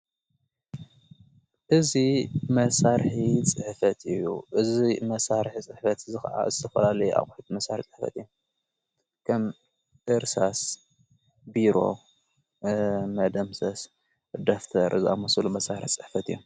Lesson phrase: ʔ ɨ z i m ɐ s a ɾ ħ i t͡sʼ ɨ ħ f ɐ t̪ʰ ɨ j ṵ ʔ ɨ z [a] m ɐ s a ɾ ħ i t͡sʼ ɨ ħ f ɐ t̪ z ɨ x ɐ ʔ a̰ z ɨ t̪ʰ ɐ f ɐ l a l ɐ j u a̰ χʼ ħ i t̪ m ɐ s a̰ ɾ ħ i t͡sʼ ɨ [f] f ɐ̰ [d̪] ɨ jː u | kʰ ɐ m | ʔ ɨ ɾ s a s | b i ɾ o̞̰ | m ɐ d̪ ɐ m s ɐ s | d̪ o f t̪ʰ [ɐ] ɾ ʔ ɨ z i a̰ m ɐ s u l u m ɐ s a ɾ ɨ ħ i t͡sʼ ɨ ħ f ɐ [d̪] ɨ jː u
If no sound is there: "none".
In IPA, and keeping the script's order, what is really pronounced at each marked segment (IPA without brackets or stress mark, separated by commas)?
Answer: i, ħ, t̪, ɐ, t̪